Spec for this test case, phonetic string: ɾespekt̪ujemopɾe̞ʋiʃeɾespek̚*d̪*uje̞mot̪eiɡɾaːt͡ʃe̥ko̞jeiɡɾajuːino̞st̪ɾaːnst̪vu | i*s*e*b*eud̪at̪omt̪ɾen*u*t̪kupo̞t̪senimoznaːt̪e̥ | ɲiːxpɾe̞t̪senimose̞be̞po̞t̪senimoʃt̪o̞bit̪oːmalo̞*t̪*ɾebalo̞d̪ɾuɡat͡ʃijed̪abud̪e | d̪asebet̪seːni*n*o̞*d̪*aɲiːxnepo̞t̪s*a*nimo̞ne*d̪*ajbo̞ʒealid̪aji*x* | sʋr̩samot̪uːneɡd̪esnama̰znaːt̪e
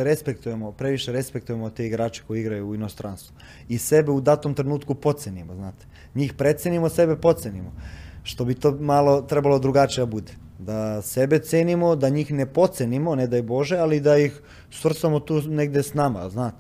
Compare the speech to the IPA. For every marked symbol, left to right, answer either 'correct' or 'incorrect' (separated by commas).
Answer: incorrect, correct, correct, incorrect, correct, incorrect, correct, incorrect, correct, correct